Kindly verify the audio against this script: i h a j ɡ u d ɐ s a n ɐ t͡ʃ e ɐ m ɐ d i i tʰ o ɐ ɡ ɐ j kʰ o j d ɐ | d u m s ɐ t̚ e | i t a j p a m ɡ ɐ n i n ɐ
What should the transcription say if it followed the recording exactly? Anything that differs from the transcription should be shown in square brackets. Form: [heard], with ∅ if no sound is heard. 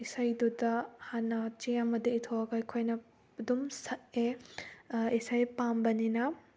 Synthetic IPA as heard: i [s] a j [d] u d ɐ [h] a n ɐ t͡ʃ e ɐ m ɐ d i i tʰ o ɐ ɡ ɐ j kʰ o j [n] ɐ | d u m s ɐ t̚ e | i [s] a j p a m [b] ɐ n i n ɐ